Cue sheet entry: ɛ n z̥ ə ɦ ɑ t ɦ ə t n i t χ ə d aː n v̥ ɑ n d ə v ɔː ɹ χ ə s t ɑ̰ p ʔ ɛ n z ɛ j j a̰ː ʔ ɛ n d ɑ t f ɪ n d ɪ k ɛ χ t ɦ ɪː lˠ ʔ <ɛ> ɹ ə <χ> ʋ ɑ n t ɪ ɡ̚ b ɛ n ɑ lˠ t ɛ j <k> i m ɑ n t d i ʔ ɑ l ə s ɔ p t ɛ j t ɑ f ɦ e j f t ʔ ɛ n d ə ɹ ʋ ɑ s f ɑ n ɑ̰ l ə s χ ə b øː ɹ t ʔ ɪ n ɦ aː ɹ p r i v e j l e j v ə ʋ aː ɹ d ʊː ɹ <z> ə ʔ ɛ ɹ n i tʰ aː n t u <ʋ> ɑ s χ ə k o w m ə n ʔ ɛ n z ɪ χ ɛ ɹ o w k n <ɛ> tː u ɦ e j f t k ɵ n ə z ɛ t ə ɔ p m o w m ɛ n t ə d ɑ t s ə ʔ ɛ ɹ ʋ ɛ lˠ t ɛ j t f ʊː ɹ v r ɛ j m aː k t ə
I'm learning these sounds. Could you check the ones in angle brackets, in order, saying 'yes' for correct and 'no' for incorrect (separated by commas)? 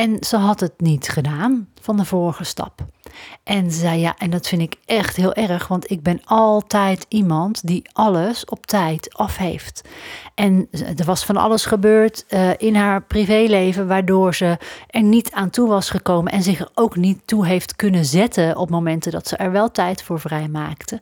yes, yes, no, yes, yes, no